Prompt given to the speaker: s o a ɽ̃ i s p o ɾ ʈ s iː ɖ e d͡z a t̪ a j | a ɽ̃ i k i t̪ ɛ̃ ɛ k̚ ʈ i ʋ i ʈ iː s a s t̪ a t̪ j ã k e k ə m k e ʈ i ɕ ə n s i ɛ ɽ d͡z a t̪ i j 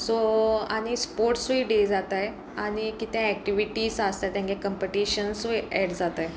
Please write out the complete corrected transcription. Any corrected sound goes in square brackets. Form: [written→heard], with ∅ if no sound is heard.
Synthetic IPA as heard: s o a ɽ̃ i s p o ɾ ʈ s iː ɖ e d͡z a t̪ a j | a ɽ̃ i k i t̪ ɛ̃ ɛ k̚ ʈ i ʋ i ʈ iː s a s t̪ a t̪ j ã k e k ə m [k→p] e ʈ i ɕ ə n s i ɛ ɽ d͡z a t̪ [i→a] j